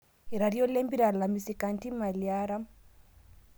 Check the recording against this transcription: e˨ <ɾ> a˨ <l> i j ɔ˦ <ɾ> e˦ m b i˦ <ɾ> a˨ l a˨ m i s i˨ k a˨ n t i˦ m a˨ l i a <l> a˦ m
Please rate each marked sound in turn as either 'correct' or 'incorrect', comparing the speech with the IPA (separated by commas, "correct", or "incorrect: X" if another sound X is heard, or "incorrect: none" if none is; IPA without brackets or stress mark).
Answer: correct, incorrect: ɾ, incorrect: l, correct, incorrect: ɾ